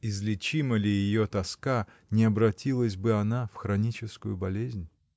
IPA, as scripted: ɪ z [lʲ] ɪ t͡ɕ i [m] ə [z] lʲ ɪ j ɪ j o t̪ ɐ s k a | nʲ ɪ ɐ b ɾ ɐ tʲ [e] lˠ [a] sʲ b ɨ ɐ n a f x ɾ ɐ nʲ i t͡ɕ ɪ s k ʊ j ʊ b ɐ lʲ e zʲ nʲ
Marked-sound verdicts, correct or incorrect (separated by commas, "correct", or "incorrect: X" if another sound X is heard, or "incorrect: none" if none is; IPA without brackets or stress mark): correct, correct, incorrect: none, incorrect: i, incorrect: ə